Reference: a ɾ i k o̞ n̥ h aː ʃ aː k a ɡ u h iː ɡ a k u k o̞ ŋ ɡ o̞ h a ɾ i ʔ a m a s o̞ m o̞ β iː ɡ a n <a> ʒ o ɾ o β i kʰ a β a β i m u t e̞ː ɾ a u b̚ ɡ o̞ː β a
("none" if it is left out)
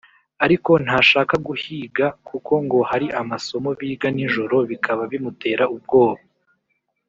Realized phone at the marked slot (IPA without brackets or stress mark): i